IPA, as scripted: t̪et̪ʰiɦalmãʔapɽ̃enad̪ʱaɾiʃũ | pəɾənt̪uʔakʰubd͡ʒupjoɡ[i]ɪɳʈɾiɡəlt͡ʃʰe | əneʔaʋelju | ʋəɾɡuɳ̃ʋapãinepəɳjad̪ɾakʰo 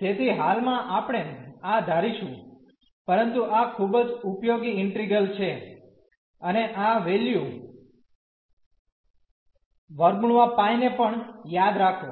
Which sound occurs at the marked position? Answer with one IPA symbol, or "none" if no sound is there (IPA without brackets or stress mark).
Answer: i